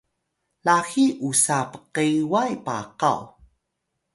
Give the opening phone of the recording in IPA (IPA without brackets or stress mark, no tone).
l